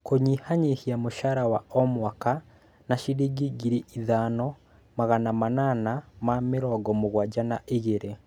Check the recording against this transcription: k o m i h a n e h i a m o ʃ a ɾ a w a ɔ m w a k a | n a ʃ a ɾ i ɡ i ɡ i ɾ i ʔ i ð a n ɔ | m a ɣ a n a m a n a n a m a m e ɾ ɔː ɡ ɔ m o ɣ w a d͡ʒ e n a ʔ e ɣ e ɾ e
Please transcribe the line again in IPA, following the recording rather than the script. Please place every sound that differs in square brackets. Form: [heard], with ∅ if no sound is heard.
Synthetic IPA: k o [ɲ] i h a [ɲ] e h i a m o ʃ a ɾ a w a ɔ m w a k a | n a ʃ [i] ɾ i ɡ i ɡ i ɾ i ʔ i ð a n ɔ | m a ɣ a n a m a n a n a m a m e ɾ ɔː ɡ ɔ m o ɣ w a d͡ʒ [a] n a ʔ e ɣ e ɾ e